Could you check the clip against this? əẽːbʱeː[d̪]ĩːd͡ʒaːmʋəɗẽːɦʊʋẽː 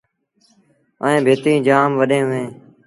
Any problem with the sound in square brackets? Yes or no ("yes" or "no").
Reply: yes